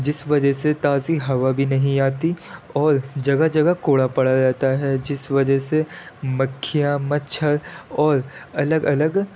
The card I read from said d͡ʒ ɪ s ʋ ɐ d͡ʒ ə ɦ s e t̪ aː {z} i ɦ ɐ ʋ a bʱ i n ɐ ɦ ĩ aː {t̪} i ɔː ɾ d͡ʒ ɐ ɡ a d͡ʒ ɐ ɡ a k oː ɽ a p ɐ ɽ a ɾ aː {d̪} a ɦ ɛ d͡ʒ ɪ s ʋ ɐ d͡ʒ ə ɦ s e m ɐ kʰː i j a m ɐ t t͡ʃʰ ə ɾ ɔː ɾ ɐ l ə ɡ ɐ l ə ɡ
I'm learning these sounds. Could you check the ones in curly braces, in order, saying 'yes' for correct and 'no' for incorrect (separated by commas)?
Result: yes, yes, no